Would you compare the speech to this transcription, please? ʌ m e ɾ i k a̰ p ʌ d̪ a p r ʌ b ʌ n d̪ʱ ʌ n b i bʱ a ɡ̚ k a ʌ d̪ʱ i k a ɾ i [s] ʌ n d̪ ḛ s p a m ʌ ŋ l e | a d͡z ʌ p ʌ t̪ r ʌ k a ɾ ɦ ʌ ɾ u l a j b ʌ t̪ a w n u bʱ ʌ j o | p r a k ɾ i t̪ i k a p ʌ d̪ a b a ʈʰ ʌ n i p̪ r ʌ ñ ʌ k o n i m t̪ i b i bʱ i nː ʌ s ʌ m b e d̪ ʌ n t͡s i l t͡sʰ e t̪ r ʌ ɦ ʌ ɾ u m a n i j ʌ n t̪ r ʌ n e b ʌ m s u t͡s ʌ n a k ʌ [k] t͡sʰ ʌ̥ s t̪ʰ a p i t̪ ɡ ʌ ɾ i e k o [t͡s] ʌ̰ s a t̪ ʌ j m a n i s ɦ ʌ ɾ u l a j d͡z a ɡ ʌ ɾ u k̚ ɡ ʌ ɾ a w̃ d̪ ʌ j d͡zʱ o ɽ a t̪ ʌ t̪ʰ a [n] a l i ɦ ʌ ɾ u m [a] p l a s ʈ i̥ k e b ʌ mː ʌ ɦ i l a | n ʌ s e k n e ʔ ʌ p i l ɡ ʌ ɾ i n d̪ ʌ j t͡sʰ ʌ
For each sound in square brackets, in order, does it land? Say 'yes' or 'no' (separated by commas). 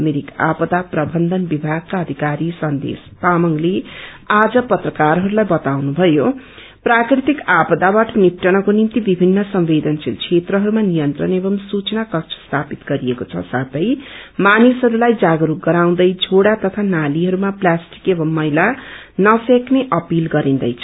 yes, yes, no, yes, yes